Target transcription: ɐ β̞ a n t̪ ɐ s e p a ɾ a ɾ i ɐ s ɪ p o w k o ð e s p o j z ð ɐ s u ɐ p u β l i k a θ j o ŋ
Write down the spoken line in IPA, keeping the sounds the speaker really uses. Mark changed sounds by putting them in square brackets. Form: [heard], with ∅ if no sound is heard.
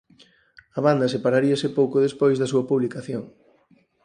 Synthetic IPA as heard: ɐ β̞ a n [d̪] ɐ s e p a ɾ a ɾ i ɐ s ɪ p o w k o ð e s p o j z ð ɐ s u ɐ p u β l i k a θ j o ŋ